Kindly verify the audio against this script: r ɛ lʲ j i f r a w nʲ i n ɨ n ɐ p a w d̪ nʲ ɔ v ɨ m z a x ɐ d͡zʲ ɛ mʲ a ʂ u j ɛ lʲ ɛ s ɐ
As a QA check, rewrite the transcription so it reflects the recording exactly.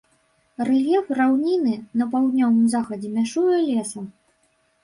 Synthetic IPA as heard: r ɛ lʲ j ɛ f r a w nʲ i n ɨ n ɐ p a w d̪ nʲ ɔ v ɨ m z a x ɐ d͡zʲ ɛ mʲ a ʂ u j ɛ lʲ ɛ s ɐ

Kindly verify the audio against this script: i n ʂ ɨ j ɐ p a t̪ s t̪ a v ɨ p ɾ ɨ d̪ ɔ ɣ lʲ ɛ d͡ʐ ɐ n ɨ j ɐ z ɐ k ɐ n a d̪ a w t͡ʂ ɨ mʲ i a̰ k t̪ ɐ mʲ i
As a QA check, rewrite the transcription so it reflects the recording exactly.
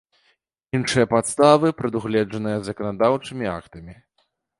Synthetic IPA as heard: i n ʂ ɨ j ɐ p a t̪ s t̪ a v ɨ p ɾ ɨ d̪ u ɣ lʲ ɛ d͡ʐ ɐ n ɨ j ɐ z ɐ k ɐ n a d̪ a w t͡ʂ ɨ mʲ i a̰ k t̪ ɐ mʲ i

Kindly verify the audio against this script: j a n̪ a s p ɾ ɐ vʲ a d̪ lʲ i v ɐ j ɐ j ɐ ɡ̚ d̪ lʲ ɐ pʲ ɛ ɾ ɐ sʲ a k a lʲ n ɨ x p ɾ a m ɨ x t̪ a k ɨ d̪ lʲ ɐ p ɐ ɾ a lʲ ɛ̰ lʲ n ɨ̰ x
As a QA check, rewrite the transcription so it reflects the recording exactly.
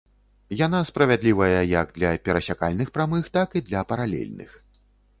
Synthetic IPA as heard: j a n̪ a s p ɾ ɐ vʲ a d̪ lʲ i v ɐ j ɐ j ɐ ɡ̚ d̪ lʲ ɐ pʲ ɛ ɾ ɐ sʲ a k a lʲ n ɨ x p ɾ a m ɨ x t̪ a k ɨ d̪ lʲ ɐ p ɐ ɾ a lʲ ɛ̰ lʲ n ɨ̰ x

